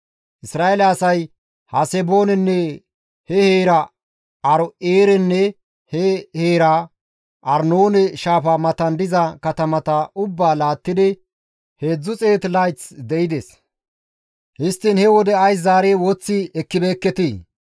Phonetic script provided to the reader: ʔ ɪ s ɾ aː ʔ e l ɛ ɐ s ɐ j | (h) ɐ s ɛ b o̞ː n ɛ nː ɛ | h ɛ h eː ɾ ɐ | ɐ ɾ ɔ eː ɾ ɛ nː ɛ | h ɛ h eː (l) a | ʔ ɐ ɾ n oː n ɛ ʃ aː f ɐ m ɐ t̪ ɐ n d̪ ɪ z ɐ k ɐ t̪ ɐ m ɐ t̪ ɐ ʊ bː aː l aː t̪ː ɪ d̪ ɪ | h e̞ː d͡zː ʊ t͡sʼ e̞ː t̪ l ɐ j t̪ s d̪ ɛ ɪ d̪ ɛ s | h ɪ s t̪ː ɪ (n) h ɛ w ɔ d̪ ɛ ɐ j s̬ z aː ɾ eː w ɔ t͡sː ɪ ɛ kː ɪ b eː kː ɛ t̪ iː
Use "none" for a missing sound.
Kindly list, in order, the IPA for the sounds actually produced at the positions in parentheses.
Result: h, ɾ, n

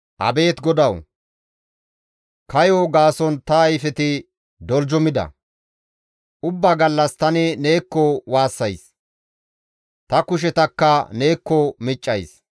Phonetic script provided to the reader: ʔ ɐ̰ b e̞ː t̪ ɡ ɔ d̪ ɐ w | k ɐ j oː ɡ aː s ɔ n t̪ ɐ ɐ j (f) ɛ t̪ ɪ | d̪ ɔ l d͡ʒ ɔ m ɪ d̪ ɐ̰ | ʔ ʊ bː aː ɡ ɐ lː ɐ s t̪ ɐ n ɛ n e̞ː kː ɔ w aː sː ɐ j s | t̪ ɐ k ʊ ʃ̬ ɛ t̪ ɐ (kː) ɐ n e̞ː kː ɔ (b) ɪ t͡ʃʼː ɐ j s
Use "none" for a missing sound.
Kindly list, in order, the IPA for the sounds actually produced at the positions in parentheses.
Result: f, kː, m

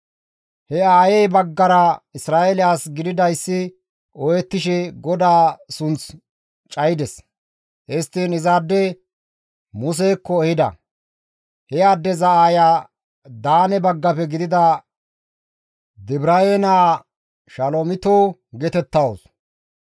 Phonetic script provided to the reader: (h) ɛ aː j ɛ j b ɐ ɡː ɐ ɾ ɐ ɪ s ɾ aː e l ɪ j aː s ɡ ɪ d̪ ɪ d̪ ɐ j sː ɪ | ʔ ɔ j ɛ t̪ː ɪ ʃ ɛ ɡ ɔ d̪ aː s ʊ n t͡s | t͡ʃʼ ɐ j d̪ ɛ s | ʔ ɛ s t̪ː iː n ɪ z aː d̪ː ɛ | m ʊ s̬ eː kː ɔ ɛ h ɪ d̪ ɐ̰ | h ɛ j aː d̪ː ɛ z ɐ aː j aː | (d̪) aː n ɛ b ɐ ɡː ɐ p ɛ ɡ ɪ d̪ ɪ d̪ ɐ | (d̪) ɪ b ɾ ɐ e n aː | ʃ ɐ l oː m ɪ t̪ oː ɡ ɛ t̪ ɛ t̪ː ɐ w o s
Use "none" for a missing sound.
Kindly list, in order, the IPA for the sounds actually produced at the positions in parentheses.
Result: h, d̪, d̪

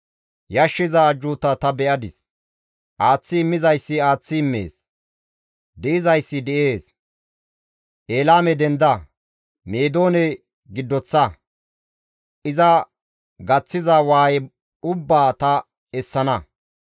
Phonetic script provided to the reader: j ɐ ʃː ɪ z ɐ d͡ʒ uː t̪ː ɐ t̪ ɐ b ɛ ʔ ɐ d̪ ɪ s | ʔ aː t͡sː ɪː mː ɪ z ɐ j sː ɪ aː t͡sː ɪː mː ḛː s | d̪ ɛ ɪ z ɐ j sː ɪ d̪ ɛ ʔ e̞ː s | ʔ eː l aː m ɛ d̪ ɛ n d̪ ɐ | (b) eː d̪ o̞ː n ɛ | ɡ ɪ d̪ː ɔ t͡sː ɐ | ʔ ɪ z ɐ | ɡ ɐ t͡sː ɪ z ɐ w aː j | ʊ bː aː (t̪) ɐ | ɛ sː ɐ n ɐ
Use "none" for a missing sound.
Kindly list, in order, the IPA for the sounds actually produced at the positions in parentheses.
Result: m, t̪

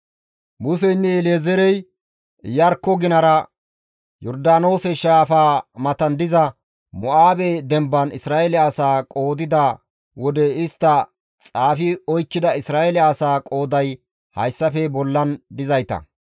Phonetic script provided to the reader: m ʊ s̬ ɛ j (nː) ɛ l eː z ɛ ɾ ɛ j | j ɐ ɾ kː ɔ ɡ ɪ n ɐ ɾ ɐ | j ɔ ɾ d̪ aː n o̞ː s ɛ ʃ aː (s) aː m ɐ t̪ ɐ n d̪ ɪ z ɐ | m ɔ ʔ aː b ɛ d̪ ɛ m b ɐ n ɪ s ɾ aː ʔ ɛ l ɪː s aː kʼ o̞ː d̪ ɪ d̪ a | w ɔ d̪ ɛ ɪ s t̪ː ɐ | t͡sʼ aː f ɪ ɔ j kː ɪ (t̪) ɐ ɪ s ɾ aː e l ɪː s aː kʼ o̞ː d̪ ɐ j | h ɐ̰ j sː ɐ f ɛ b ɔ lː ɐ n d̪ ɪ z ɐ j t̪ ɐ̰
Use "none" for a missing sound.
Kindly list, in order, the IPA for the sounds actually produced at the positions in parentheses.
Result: nː, f, d̪

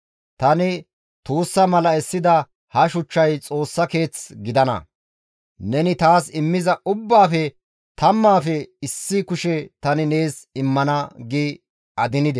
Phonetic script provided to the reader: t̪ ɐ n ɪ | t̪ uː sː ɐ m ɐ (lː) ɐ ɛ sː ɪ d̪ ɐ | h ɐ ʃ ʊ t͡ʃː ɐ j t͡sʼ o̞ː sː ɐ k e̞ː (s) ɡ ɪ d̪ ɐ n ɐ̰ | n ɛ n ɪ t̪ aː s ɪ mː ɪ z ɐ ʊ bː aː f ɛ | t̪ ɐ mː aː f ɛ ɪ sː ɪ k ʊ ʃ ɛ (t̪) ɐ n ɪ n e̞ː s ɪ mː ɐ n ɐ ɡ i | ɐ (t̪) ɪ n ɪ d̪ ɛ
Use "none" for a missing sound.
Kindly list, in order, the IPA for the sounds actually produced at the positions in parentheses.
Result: l, t͡s, t̪, d̪

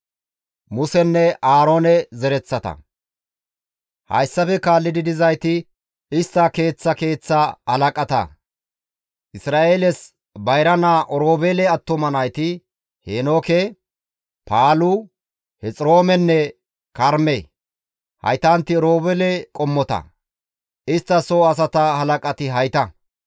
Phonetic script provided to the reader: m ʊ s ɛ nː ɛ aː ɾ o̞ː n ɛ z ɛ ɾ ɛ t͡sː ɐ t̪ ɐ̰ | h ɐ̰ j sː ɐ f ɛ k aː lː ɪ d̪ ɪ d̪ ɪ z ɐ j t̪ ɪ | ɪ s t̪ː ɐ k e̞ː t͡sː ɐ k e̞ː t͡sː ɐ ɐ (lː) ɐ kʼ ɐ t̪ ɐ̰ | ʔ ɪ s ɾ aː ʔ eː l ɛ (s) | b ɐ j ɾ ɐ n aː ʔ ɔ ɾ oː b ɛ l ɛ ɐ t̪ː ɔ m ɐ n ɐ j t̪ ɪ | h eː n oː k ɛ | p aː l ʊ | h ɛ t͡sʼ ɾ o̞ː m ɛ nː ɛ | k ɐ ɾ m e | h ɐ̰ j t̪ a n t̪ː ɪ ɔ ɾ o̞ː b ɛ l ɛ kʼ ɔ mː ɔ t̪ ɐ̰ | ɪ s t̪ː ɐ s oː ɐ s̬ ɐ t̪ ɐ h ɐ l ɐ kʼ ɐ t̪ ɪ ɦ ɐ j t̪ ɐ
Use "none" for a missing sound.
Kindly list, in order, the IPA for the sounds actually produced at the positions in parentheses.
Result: l, s

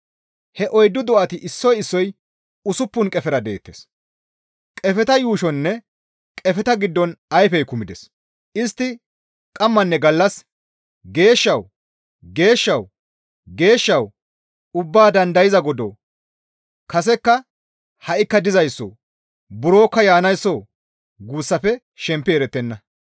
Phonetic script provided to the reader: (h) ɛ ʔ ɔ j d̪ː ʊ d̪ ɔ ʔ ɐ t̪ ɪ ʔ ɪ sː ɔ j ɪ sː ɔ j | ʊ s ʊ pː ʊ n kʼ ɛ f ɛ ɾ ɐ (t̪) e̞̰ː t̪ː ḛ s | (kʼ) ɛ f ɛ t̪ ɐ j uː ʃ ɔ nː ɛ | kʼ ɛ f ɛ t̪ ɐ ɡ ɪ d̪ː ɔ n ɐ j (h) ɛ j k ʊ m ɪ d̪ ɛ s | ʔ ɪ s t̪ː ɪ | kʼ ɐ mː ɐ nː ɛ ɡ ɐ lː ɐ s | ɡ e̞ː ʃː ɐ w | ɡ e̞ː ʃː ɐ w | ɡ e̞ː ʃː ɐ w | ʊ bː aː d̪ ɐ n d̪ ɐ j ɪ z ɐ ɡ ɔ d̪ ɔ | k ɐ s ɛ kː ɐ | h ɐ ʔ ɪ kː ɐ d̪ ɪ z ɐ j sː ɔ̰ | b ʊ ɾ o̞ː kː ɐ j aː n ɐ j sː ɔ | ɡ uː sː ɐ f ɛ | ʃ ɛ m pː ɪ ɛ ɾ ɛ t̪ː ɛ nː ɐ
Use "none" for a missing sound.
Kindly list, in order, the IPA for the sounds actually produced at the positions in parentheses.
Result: h, d̪, kʼ, f

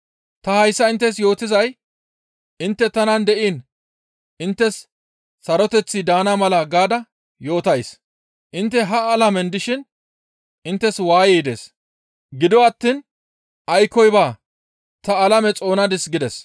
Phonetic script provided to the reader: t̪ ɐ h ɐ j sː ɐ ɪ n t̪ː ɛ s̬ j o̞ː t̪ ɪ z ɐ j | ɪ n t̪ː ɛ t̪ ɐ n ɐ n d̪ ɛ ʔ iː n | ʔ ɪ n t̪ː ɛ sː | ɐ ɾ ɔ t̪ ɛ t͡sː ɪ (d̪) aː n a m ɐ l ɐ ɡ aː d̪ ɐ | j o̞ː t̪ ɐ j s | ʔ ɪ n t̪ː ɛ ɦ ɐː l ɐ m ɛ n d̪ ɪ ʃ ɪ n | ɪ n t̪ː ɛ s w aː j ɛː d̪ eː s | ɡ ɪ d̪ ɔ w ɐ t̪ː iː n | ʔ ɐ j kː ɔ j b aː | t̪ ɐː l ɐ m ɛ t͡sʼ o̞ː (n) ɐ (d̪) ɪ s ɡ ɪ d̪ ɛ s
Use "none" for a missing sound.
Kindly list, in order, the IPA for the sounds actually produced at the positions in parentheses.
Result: d̪, n, d̪

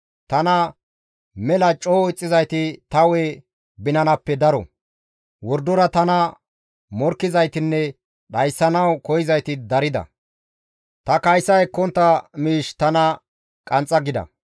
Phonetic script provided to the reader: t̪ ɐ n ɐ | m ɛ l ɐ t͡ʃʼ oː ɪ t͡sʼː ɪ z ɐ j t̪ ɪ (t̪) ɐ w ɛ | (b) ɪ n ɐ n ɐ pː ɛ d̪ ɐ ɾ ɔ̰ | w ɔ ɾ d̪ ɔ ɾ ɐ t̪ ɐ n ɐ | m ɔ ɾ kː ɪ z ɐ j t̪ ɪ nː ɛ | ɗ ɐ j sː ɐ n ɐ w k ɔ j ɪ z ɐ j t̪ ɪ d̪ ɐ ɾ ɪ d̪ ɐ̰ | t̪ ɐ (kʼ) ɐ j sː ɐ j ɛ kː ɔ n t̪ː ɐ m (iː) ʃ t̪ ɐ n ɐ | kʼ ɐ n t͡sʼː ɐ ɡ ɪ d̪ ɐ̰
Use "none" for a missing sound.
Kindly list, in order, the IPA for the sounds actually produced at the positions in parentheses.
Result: t̪, b, k, iː

